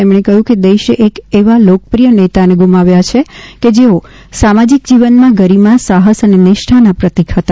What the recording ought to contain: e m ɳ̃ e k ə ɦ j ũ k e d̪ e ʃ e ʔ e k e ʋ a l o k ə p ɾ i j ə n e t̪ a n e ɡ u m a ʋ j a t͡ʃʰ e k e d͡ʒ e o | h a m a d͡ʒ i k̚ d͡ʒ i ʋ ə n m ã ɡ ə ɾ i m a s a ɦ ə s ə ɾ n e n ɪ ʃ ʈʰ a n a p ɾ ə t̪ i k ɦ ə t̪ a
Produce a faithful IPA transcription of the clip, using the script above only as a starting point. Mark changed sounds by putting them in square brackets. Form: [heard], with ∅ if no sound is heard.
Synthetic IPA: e m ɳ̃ e k ə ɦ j ũ k e d̪ e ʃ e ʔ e k e ʋ a l o k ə p ɾ i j ə n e t̪ a n e ɡ u m a ʋ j a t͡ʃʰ e k e d͡ʒ e o | [s] a m a d͡ʒ i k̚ d͡ʒ i ʋ ə n m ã ɡ ə ɾ i m a s a ɦ ə s ə [∅] n e n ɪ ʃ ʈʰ a n a p ɾ ə t̪ i k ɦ ə t̪ a